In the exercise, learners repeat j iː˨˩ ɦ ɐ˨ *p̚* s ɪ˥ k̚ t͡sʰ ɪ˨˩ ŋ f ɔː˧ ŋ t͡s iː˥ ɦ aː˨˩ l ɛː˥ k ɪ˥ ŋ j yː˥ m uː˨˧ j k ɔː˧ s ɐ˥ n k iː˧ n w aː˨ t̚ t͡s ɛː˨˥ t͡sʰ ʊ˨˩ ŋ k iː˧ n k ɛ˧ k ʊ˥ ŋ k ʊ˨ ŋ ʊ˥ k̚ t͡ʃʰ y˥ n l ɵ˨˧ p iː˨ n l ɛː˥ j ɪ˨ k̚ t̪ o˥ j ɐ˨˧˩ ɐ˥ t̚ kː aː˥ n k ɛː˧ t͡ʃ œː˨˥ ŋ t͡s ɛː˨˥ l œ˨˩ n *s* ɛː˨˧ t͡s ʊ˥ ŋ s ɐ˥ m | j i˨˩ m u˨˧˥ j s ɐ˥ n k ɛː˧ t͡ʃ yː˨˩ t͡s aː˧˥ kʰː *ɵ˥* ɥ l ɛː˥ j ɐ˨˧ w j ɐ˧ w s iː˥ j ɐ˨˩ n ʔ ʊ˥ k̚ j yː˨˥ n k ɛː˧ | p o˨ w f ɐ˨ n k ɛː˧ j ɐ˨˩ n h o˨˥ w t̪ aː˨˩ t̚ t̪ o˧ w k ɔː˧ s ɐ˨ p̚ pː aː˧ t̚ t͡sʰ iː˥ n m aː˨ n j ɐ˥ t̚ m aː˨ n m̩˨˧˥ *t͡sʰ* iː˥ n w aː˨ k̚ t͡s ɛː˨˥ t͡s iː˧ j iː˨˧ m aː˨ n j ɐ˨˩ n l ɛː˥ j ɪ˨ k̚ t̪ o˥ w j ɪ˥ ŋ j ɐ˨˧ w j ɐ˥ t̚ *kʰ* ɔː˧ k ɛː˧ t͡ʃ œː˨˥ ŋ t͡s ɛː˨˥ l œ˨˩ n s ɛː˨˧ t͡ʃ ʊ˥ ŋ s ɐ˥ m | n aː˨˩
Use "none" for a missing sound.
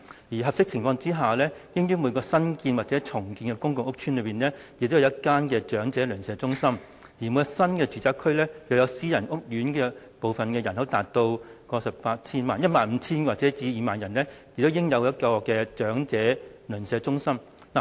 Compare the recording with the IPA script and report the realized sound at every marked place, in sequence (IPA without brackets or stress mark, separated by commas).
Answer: p̚, s, ɵ˥, t͡sʰ, k